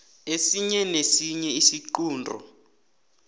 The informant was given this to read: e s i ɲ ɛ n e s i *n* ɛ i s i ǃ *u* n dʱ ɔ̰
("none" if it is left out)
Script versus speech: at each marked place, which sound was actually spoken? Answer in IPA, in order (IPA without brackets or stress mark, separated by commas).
ɲ, uː